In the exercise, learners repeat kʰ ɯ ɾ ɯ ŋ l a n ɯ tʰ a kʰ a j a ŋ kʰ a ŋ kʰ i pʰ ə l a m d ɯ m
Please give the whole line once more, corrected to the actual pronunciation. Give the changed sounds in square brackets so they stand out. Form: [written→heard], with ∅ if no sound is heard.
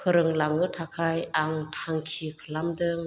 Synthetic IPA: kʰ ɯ ɾ ɯ ŋ l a [n→ŋ] ɯ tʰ a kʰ a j a ŋ [kʰ→tʰ] a ŋ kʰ i [pʰ→kʰ] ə l a m d ɯ [m→ŋ]

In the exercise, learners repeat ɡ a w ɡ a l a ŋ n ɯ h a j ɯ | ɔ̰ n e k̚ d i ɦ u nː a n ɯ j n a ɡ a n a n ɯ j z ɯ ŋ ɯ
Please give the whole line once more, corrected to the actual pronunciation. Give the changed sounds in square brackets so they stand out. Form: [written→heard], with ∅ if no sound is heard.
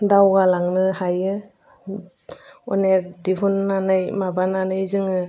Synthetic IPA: [ɡ→d] a w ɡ a l a ŋ n ɯ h a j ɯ | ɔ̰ n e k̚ d i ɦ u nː a n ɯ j [n→m] a [ɡ→b] a n a n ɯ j z ɯ ŋ ɯ

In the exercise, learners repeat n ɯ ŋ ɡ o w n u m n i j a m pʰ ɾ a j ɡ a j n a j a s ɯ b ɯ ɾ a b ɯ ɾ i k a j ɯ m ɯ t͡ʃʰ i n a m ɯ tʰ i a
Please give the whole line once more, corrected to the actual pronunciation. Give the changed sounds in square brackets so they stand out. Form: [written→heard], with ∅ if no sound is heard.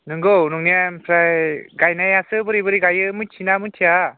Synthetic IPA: n ɯ ŋ ɡ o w n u [m→ŋ] n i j a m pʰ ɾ a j ɡ a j n a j a s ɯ b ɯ ɾ [a→i] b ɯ ɾ i [k→ɡ] a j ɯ m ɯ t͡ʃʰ i n a m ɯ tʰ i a

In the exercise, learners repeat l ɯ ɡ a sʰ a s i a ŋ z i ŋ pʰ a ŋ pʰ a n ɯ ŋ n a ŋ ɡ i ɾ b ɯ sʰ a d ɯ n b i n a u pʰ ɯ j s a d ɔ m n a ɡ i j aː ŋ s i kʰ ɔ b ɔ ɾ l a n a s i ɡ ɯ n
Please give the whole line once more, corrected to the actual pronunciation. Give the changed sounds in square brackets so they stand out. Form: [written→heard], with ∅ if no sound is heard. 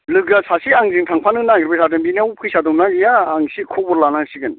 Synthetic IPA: l ɯ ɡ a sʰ a s i a ŋ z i ŋ [pʰ→tʰ] a ŋ pʰ a n ɯ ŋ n a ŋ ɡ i ɾ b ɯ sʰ a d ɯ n b i n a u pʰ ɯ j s a d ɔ m n a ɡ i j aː ŋ s i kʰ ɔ b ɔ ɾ l a n a s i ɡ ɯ n

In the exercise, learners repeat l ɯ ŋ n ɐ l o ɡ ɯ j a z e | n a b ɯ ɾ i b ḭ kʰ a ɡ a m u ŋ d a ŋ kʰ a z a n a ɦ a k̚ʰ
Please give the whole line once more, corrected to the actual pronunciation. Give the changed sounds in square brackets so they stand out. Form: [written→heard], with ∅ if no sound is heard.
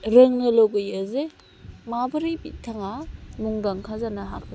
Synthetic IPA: [l→ɾ] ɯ ŋ n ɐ l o ɡ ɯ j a z e | [n→m] a b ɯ ɾ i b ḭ [kʰ→tʰ] a [ɡ→ŋ] a m u ŋ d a ŋ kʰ a z a n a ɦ a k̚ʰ

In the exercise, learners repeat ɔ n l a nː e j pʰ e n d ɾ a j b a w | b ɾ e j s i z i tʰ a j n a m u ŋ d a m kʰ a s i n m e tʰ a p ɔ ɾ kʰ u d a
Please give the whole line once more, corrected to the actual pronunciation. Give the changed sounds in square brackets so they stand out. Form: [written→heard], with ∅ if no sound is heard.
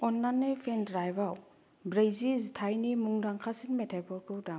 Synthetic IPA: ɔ n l a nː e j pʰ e n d ɾ a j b a w | b ɾ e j [s→z] i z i tʰ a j n [a→i] m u ŋ d a [m→ŋ] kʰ a s i n m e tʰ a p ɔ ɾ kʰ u d a

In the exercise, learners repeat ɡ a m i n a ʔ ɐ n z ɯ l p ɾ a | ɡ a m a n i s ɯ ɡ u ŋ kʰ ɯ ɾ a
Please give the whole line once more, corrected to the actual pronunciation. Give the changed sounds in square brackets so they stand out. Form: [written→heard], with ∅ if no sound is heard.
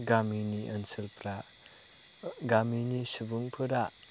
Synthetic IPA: ɡ a m i n [a→i] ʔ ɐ n [z→s] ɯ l p ɾ a | ɡ a m [a→i] n i s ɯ [ɡ→b] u ŋ [kʰ→pʰ] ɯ ɾ a

